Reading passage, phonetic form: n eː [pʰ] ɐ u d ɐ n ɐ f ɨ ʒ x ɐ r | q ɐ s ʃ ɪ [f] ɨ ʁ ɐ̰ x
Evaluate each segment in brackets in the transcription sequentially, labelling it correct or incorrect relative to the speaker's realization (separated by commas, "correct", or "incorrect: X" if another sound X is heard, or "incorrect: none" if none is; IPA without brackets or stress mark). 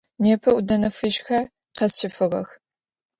correct, correct